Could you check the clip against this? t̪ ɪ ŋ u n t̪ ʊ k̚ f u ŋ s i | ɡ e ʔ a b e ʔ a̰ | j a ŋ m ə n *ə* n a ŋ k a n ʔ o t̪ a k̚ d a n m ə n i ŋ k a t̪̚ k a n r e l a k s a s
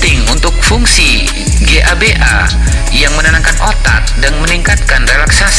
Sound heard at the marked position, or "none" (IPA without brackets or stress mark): a